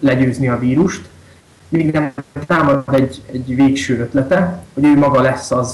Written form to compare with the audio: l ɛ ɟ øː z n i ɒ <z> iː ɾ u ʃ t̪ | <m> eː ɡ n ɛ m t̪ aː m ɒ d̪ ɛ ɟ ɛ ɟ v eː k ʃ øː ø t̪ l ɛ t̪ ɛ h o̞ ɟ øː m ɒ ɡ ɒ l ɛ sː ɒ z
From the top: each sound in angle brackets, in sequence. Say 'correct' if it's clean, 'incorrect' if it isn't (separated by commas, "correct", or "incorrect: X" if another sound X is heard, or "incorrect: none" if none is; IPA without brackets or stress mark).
incorrect: v, correct